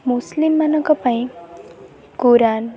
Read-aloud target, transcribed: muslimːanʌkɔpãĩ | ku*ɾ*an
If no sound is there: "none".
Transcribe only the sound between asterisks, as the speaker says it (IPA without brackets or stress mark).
ɾ